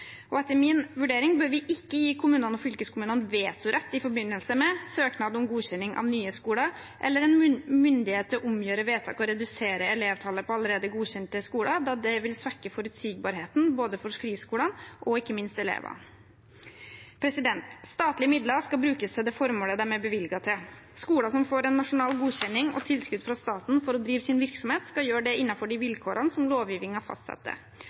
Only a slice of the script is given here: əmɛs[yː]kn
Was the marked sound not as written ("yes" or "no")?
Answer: yes